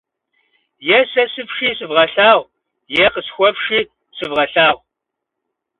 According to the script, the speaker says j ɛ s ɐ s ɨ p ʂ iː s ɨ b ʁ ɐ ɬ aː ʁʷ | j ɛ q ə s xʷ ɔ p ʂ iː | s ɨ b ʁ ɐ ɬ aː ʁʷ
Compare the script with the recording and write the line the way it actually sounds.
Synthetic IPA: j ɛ s ɐ s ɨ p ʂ iː s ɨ v ʁ ɐ ɬ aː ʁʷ | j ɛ q ə s xʷ ɔ p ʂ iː | s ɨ v ʁ ɐ ɬ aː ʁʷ